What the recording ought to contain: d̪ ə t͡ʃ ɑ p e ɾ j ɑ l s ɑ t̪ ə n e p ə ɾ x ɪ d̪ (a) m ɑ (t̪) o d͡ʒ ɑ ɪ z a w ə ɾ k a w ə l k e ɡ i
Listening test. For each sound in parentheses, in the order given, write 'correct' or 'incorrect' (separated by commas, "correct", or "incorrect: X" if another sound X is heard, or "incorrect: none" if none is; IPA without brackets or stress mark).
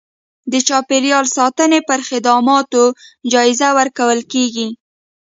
incorrect: ɑ, correct